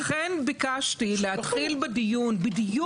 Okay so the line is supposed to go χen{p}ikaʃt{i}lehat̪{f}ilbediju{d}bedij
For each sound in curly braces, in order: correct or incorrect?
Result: incorrect: b, correct, incorrect: χ, incorrect: n

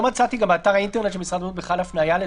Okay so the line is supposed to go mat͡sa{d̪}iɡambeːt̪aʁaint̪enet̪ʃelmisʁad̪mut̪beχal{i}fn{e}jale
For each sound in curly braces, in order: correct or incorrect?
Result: incorrect: t̪, incorrect: a, incorrect: a

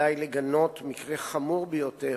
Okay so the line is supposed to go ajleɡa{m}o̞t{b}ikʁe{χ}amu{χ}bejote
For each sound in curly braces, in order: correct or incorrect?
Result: incorrect: n, incorrect: m, correct, incorrect: ʁ

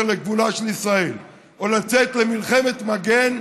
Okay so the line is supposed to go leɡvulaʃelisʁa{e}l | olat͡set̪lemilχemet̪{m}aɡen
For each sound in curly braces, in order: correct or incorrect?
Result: correct, correct

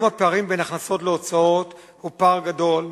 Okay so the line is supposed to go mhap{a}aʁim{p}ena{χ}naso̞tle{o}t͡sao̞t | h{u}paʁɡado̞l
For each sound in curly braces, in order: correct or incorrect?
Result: incorrect: e, incorrect: b, correct, correct, correct

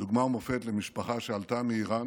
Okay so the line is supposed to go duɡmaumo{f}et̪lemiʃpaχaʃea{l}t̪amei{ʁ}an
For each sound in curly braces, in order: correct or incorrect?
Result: correct, correct, correct

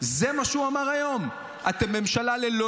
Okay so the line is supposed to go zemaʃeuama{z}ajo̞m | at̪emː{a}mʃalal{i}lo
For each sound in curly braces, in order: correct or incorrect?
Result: incorrect: ʁ, incorrect: e, incorrect: e

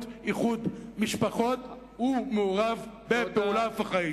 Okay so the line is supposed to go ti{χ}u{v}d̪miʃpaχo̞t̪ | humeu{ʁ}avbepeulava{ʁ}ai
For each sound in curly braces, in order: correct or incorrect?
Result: correct, incorrect: none, correct, incorrect: χ

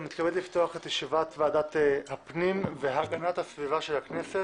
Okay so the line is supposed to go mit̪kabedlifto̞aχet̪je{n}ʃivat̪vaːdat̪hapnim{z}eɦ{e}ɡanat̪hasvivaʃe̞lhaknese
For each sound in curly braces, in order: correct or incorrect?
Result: incorrect: none, incorrect: v, incorrect: a

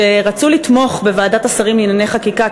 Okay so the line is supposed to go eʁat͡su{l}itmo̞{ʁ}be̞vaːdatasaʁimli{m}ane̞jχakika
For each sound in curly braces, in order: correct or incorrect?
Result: correct, incorrect: χ, incorrect: n

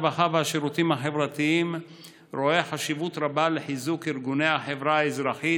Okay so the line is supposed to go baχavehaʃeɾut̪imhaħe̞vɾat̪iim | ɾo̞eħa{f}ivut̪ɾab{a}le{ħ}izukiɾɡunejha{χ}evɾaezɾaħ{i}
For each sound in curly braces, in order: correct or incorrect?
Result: incorrect: ʃ, correct, correct, incorrect: ħ, correct

